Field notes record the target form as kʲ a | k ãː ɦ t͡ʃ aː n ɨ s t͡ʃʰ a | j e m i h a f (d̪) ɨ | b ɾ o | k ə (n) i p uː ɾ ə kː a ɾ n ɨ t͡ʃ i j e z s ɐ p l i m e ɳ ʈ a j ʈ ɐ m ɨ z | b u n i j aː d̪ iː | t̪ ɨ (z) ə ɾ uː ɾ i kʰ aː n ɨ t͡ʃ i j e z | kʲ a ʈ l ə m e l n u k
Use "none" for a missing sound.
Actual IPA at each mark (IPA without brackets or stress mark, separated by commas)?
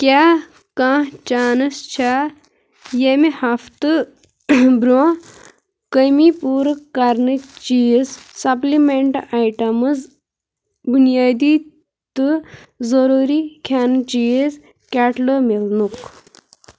t̪, m, z